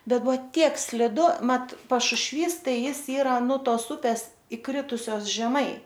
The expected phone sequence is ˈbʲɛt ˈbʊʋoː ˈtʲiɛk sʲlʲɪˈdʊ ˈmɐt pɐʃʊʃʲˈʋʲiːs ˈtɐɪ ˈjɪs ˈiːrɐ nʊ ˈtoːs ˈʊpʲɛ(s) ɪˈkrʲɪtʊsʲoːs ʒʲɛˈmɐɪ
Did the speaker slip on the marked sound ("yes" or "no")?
no